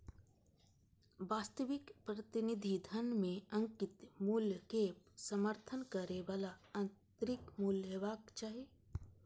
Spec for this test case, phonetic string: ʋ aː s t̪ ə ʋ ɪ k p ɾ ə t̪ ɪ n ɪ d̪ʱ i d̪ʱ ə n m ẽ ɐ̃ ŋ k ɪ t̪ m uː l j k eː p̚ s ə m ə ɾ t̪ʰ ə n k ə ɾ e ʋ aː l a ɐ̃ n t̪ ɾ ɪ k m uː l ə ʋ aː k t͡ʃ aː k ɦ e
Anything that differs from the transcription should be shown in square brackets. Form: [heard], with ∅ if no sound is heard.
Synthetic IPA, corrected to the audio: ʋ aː s t̪ ə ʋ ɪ k p ɾ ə t̪ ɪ n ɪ d̪ʱ i d̪ʱ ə n m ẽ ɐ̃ ŋ k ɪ t̪ m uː l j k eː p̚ s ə m ə ɾ t̪ʰ ə n k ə ɾ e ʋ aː l a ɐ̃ n t̪ ɾ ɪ k m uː l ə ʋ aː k t͡ʃ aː [∅] ɦ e